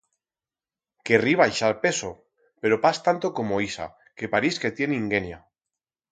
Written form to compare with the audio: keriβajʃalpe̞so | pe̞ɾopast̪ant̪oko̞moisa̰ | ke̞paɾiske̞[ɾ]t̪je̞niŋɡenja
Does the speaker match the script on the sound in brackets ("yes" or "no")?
no